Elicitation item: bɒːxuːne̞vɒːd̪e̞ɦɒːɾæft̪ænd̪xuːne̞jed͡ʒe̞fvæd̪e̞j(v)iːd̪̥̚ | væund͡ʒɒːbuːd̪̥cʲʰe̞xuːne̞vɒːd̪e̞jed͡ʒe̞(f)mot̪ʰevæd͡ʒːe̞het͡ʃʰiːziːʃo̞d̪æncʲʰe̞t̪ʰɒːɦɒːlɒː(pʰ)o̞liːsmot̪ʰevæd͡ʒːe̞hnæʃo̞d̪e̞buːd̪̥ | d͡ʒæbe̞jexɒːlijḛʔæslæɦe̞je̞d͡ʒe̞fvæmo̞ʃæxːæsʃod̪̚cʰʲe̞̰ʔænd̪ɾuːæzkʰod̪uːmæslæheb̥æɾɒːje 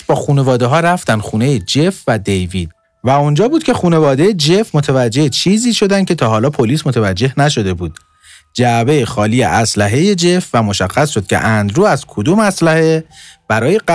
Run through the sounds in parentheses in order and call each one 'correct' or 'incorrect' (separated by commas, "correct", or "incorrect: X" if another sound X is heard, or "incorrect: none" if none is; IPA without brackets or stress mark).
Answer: correct, correct, correct